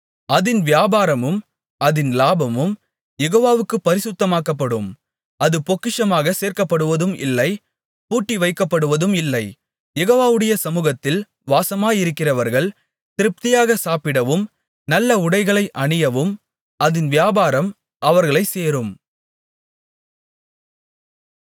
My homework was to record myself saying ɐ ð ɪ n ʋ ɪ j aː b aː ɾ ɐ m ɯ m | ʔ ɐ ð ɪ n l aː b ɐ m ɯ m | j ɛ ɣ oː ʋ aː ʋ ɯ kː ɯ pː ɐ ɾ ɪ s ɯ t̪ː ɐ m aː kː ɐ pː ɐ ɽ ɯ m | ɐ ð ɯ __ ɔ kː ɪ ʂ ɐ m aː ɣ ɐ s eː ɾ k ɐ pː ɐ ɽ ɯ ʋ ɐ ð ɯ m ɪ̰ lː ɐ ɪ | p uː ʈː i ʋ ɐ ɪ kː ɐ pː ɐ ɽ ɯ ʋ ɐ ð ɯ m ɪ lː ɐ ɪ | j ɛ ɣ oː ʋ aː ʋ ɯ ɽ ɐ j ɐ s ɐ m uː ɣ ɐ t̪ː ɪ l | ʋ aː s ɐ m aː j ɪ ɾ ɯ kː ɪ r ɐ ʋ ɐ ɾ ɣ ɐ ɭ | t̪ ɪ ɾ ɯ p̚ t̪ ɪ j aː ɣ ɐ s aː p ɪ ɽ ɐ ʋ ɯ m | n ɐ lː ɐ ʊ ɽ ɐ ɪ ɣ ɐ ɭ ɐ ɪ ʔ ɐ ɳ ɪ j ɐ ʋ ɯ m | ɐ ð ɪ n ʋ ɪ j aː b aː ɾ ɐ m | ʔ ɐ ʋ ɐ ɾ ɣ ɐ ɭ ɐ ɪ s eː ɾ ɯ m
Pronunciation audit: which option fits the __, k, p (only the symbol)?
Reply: p